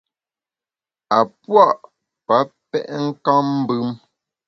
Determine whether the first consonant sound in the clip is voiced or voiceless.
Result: voiceless